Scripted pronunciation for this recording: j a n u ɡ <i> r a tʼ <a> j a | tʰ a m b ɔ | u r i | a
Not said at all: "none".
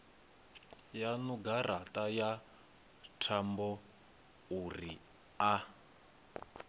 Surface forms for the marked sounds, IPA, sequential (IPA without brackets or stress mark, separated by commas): a, a